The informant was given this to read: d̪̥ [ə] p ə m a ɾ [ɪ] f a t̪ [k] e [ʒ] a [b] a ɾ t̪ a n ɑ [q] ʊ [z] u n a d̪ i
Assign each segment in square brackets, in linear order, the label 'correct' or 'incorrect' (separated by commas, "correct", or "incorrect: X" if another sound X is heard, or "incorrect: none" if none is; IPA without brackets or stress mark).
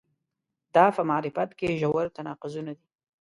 incorrect: ɑ, correct, correct, correct, incorrect: w, correct, correct